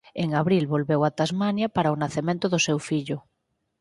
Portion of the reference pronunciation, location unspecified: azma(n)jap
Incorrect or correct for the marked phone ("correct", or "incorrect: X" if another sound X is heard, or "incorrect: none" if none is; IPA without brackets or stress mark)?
correct